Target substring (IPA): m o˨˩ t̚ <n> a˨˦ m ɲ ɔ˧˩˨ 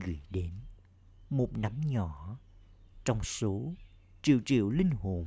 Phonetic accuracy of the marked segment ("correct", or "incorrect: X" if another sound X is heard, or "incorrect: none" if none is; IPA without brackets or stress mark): correct